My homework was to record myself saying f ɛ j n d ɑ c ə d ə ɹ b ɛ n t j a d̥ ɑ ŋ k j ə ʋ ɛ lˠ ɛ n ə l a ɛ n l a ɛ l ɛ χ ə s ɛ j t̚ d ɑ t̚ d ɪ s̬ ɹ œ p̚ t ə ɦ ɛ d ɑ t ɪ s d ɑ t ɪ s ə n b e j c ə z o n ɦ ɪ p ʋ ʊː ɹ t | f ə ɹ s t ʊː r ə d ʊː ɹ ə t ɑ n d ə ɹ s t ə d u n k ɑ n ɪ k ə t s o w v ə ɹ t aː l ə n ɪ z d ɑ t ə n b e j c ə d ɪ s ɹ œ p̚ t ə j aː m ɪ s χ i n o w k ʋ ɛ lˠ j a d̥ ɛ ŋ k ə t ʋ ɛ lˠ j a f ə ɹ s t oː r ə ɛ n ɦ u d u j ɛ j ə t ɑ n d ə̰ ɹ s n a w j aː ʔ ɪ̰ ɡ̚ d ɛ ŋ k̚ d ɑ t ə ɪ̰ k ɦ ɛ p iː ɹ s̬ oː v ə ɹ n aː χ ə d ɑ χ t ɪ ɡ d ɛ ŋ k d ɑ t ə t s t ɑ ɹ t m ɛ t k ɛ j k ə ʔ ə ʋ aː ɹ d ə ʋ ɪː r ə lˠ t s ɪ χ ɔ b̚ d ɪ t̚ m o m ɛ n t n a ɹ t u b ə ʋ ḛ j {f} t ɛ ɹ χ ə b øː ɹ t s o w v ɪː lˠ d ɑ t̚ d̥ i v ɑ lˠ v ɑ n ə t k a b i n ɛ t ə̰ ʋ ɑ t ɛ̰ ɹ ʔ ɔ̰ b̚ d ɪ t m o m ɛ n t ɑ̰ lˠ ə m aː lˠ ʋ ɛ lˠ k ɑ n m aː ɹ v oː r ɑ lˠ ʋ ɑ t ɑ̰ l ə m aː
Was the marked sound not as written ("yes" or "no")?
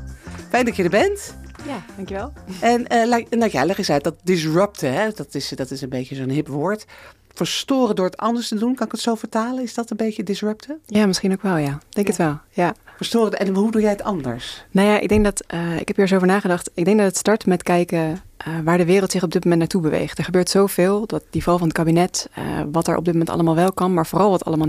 yes